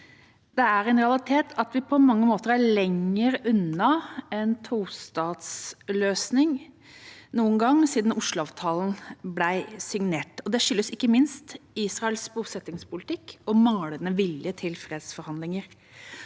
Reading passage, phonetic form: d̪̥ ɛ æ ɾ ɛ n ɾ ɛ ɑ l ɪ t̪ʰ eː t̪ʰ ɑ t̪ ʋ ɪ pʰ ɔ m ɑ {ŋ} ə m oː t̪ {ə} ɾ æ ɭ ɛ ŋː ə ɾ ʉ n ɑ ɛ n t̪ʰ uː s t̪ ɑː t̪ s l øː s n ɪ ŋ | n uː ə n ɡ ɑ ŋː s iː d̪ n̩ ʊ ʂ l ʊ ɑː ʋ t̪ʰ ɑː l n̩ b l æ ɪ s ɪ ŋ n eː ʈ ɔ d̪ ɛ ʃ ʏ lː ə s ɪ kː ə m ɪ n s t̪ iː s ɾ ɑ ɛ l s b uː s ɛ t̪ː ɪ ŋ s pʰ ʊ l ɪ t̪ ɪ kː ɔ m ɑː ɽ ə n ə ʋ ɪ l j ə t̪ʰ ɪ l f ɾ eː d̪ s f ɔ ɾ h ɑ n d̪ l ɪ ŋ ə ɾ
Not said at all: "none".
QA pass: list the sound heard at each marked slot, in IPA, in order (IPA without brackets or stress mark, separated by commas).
ŋː, ə